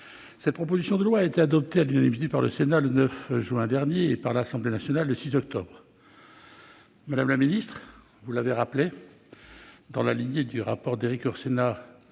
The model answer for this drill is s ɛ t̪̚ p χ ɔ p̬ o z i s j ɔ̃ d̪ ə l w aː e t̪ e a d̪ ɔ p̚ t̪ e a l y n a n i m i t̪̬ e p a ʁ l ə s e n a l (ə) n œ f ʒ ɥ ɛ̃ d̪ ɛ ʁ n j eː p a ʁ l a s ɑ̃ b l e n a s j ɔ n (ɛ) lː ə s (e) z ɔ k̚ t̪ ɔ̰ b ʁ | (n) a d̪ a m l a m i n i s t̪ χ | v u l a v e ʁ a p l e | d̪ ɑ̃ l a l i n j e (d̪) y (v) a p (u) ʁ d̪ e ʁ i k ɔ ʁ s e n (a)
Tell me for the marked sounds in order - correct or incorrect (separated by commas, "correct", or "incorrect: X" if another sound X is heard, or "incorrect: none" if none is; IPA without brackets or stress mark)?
correct, incorrect: a, incorrect: i, incorrect: m, correct, incorrect: ʁ, incorrect: ɔ, correct